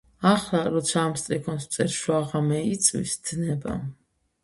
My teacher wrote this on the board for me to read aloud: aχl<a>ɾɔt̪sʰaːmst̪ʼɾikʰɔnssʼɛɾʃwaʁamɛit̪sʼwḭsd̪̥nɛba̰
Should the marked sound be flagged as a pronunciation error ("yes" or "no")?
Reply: no